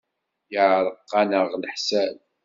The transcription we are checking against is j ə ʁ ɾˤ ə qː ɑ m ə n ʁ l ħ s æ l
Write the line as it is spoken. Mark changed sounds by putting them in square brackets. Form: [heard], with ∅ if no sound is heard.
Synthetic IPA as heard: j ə [ʕ] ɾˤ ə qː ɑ [n] ə [∅] ʁ l ħ s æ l